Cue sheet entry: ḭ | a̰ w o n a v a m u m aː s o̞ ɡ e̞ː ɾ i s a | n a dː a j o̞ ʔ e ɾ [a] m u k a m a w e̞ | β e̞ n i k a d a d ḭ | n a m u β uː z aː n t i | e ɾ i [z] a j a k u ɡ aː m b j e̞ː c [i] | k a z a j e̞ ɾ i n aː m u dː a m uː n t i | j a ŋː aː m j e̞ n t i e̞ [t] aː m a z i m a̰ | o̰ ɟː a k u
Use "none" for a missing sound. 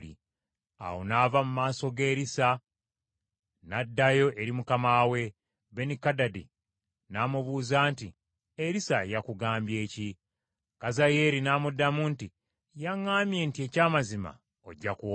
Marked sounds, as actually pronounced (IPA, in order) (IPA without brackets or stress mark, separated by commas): i, s, i, c